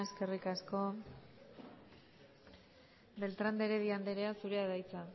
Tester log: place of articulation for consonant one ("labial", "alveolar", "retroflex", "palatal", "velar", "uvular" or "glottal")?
alveolar